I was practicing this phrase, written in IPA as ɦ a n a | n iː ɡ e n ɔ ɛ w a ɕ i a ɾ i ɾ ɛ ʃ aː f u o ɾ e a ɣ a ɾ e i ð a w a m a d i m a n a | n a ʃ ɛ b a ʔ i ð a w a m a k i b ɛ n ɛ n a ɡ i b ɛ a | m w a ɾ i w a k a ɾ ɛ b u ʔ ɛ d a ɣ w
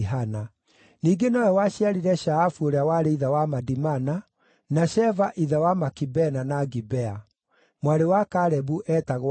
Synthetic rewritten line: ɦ a n a | n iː ɡ e n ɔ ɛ w a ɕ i a ɾ i ɾ ɛ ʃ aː f u o ɾ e a w a ɾ e i ð a w a m a d i m a n a | n a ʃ ɛ v a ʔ i ð a w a m a k i b ɛ n a n a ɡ i b ɛ a | m w a ɾ e w a k a ɾ ɛ b u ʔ ɛ t a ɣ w